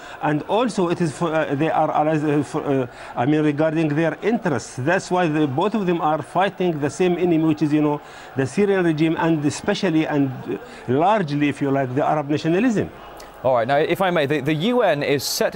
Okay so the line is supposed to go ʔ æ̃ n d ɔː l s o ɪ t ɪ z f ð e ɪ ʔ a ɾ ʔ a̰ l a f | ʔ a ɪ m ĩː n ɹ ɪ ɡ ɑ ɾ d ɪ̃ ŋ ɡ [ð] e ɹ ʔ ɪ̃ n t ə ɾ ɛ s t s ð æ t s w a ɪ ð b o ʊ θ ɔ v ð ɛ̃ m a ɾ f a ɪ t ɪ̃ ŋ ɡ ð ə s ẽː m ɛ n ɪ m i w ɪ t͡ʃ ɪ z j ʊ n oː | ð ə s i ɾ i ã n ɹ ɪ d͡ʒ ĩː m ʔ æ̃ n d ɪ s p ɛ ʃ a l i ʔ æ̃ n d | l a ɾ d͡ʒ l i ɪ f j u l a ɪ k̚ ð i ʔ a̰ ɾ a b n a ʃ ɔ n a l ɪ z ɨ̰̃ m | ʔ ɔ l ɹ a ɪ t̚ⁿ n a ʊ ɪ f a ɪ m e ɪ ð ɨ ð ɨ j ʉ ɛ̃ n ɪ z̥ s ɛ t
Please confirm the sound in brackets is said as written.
yes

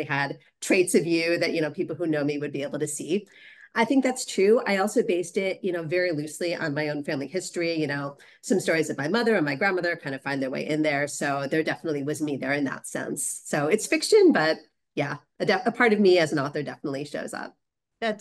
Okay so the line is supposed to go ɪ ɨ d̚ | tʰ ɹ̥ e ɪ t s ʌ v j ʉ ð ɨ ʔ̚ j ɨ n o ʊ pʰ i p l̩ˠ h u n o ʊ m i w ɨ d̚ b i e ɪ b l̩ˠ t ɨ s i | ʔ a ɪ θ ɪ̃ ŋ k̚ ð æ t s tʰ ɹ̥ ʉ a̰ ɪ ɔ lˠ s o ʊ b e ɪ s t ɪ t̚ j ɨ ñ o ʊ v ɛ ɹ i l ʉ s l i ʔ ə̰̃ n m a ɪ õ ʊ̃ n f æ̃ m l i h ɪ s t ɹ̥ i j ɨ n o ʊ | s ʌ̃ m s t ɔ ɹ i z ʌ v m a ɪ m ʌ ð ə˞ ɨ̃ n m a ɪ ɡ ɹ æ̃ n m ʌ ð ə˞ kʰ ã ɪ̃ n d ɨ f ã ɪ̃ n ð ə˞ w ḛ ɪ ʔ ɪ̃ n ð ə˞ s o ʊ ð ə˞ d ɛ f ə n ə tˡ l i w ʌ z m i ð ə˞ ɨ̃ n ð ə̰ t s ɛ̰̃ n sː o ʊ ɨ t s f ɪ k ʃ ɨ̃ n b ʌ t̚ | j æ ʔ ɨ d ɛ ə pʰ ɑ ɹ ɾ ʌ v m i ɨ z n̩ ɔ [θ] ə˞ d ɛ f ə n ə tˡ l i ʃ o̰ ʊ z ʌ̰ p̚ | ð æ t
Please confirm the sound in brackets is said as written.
yes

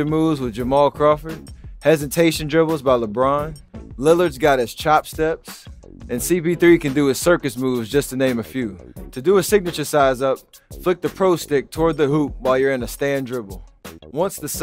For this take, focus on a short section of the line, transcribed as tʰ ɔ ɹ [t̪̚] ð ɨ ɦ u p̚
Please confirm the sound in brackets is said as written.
no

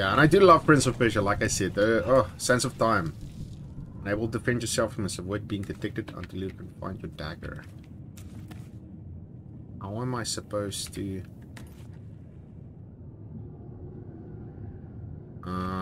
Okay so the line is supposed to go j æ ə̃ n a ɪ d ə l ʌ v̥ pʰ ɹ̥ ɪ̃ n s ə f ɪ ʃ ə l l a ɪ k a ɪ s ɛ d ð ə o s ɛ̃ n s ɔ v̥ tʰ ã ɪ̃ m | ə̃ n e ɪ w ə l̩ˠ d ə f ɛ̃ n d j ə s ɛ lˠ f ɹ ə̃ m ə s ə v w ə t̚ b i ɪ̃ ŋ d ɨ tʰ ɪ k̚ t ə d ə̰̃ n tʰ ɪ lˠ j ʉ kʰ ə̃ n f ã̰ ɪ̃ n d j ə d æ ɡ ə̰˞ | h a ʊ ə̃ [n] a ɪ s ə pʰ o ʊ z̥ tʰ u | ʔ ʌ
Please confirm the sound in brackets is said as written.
no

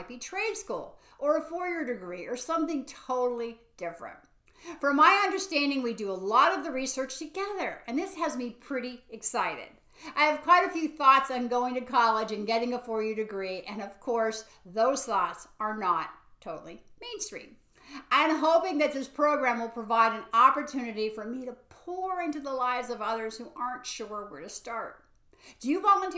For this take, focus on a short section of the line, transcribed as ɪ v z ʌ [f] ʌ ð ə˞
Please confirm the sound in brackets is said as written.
no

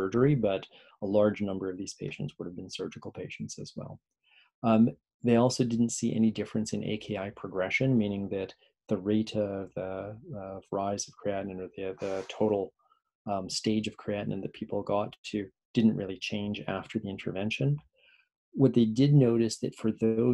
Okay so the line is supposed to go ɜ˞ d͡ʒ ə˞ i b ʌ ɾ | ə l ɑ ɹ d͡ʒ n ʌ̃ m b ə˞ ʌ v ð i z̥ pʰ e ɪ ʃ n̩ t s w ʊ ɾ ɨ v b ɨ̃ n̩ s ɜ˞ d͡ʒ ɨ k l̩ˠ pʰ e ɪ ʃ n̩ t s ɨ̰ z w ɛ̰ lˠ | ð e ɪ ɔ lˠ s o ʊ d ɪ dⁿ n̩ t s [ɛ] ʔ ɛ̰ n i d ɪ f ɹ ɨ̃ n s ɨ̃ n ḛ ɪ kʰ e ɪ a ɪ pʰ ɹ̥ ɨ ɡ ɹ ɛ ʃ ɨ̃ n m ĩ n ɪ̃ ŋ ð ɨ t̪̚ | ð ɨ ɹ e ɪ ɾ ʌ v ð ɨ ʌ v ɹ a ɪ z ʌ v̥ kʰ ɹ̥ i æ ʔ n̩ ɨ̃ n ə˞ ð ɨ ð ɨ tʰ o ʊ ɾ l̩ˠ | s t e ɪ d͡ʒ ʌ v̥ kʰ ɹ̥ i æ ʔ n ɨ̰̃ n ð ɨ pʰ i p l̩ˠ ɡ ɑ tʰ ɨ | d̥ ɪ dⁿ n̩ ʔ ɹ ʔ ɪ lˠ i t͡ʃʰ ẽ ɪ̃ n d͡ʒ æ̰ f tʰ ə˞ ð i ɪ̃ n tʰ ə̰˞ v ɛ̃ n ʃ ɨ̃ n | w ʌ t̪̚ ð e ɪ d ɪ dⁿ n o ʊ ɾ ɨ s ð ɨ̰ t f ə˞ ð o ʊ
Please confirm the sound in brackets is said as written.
no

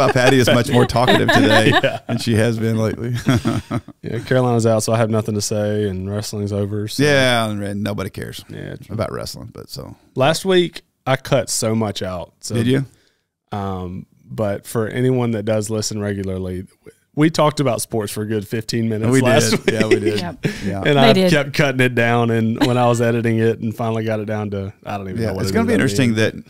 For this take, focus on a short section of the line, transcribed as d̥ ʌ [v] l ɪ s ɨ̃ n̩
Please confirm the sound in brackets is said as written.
no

